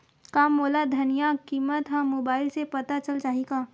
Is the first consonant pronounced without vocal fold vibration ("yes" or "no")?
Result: yes